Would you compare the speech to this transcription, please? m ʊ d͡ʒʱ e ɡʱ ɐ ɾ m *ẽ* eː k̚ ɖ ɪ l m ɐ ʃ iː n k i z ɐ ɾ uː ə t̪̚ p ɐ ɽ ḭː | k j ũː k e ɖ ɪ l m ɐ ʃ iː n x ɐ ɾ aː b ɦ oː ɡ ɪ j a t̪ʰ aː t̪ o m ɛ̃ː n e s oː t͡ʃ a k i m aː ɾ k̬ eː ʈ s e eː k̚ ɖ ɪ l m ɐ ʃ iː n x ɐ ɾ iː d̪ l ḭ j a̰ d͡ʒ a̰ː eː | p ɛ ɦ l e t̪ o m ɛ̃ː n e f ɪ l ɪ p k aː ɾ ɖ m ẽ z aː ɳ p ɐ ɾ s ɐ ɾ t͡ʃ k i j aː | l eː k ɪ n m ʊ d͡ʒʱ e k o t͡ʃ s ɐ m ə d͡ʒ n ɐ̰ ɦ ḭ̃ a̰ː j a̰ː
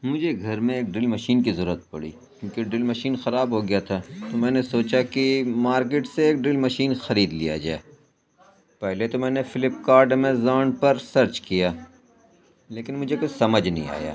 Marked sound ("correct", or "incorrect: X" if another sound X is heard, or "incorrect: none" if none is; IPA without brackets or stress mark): correct